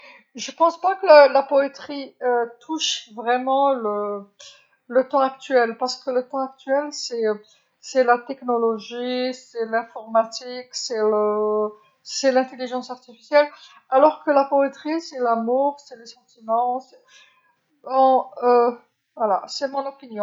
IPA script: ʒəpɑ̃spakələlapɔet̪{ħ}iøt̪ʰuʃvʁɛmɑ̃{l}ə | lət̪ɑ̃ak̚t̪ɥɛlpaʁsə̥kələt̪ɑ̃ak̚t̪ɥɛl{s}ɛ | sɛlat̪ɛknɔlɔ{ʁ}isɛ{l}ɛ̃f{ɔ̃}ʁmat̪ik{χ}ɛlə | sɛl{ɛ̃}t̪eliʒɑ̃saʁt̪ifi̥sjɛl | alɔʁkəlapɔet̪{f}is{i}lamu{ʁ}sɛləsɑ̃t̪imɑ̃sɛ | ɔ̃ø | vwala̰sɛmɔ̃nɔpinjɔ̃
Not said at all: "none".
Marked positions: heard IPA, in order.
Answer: χ, l, s, ʒ, l, ɔ, s, ɛ̃, χ, ɛ, ʁ

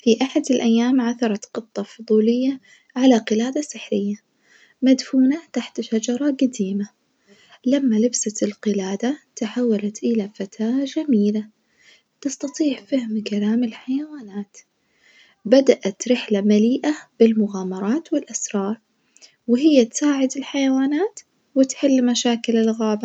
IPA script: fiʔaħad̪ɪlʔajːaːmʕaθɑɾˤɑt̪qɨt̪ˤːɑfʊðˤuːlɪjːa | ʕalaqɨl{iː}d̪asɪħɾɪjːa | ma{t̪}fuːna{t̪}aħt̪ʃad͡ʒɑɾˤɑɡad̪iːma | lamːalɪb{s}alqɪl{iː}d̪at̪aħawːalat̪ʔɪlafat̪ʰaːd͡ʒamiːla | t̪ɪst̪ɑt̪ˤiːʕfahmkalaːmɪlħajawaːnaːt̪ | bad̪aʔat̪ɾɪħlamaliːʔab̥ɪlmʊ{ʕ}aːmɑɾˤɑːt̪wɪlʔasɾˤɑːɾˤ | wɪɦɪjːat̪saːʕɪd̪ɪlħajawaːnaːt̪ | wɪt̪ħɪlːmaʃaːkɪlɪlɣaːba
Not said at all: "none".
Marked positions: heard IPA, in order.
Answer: aː, d̪, t̪, s, aː, ɣ

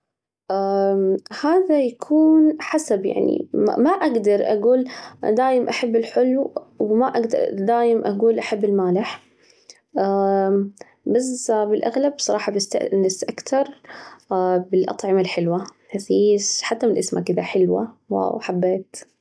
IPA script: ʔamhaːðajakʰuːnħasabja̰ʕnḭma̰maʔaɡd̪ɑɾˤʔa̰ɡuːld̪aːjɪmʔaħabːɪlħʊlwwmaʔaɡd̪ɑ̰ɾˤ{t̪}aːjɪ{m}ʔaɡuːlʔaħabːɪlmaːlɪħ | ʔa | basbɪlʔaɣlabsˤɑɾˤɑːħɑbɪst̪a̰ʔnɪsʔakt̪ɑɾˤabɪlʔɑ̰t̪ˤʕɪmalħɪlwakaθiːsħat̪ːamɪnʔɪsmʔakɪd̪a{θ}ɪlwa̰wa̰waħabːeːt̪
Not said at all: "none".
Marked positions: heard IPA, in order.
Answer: d̪, m, ħ

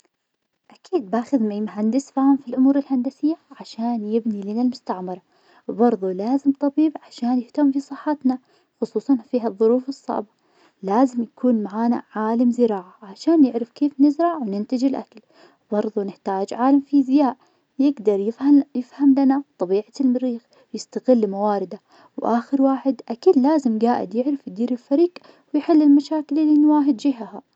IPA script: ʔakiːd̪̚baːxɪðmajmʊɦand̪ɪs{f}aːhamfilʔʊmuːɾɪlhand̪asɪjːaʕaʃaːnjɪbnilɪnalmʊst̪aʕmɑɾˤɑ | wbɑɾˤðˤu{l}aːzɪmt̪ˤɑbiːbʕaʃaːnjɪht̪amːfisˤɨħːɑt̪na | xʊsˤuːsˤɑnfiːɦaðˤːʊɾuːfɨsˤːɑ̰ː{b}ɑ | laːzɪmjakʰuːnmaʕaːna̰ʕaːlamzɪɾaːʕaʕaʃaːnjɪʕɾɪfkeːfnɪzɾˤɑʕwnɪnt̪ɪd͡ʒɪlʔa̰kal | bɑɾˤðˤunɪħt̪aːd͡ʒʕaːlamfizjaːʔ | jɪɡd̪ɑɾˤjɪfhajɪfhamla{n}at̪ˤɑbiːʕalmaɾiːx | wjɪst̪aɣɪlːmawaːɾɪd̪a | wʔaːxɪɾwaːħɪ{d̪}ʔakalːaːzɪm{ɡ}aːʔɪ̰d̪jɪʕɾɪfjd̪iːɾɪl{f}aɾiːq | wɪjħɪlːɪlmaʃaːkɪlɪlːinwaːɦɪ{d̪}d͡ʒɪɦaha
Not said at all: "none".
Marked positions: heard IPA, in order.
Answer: f, l, b, n, d̪, ɡ, f, d̪

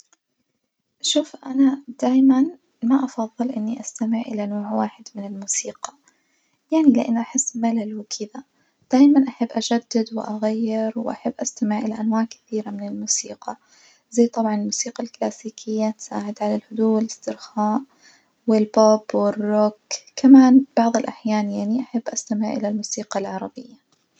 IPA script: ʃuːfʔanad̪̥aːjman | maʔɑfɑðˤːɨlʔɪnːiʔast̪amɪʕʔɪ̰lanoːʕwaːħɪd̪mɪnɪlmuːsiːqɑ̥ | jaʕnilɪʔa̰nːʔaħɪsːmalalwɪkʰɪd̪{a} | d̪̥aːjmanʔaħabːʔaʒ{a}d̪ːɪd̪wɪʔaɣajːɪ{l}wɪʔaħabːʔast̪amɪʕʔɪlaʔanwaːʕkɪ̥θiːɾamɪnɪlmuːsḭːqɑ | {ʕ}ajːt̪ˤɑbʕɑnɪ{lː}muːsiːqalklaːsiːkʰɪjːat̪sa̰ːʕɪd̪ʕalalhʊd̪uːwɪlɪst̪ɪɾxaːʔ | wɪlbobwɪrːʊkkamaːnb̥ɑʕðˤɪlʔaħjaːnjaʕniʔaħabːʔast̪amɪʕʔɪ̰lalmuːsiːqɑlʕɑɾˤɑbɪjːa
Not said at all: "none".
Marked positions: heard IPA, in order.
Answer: a, a, ɾ, z, l

